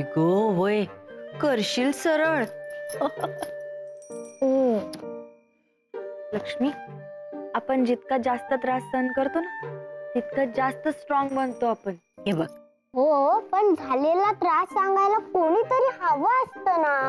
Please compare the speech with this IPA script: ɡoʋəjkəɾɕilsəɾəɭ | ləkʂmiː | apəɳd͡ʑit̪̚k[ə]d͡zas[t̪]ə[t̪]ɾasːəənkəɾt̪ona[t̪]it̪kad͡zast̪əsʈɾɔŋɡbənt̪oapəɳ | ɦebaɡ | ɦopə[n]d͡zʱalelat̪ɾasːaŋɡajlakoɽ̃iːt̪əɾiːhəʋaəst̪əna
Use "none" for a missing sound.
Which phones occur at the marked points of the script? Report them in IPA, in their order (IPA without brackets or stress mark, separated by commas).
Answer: a, t̪, t̪, t̪, ɳ